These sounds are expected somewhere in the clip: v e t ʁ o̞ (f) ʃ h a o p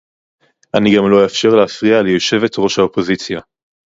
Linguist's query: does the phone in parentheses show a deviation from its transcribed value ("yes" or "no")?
yes